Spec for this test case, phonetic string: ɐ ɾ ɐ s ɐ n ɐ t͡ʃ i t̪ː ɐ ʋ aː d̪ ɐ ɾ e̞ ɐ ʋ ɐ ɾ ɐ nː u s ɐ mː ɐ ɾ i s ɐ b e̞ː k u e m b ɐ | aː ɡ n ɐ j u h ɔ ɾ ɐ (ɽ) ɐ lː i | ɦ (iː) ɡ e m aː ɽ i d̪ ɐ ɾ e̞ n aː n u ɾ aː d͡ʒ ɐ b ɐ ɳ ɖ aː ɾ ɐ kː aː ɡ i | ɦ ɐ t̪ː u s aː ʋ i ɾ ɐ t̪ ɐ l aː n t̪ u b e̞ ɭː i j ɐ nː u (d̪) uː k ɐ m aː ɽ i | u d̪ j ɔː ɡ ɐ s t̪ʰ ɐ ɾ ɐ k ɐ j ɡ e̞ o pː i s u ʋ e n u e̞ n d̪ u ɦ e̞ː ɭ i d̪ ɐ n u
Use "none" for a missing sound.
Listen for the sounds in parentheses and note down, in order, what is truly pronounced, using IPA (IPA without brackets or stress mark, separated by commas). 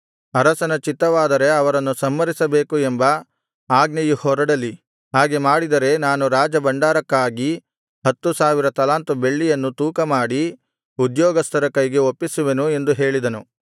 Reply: ɽ, aː, t̪